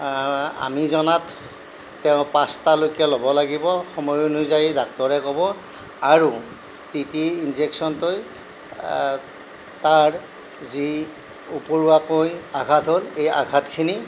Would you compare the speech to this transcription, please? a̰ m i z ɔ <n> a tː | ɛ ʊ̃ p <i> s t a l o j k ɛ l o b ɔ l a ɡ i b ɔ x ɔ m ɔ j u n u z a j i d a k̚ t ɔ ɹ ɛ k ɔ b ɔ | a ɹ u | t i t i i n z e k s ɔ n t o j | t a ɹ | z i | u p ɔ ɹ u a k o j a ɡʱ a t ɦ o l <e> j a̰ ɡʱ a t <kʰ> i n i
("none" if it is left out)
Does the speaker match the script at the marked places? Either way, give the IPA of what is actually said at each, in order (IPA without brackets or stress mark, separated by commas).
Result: n, a, e, kʰ